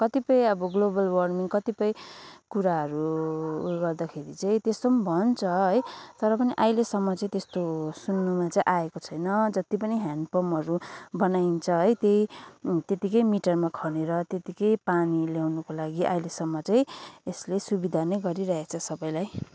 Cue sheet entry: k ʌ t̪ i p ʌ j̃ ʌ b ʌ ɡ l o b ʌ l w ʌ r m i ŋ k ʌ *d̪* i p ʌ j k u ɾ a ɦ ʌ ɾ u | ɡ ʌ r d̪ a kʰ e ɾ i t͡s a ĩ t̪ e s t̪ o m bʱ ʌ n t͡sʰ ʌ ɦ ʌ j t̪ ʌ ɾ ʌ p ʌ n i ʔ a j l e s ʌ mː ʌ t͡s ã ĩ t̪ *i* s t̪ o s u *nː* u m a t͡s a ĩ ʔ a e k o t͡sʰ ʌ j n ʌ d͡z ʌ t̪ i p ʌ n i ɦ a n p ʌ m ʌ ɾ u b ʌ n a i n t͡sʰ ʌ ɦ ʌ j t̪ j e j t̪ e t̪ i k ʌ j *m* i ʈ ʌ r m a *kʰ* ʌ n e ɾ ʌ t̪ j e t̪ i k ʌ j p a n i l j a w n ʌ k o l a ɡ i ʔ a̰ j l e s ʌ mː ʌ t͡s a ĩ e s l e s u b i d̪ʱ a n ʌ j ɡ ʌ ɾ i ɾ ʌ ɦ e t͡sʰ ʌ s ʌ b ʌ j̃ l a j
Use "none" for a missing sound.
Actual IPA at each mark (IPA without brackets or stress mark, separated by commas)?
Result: t̪, e, nː, m, kʰ